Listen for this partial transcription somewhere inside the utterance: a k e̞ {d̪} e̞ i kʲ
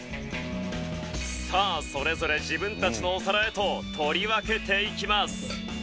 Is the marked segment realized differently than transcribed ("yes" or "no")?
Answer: yes